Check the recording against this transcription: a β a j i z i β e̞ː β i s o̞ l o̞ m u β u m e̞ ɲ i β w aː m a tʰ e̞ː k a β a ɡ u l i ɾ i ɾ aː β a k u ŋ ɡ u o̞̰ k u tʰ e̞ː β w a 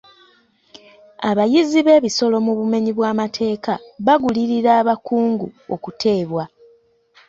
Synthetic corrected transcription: a β a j i z i β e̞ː β i s o̞ l o̞ m u β u m e̞ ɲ i β w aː m a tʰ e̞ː k a β a ɡ u l i ɾ i ɾ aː β a k uː ŋ ɡ u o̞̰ k u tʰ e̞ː β w a